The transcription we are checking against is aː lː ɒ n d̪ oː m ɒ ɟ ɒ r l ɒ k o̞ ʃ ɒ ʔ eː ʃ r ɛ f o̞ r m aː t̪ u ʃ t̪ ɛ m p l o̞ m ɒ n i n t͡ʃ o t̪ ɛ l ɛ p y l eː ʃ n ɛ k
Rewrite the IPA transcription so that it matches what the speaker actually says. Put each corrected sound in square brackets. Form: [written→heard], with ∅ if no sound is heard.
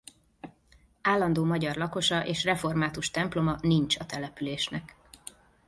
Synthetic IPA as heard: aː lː ɒ n d̪ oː m ɒ ɟ ɒ r l ɒ k o̞ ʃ ɒ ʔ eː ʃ r ɛ f o̞ r m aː t̪ u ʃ t̪ ɛ m p l o̞ m ɒ n i n t͡ʃ [o→ɒ] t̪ ɛ l ɛ p y l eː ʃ n ɛ k